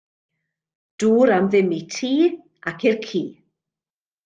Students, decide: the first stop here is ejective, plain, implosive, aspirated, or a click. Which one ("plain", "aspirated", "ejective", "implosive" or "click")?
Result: plain